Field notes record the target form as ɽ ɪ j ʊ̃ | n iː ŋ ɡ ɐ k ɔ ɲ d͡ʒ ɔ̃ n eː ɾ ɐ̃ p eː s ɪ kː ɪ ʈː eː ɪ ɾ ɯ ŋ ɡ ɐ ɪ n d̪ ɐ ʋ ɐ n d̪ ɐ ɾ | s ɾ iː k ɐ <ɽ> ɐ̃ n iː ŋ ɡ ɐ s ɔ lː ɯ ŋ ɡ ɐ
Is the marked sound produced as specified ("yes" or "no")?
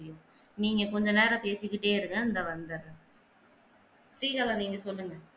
no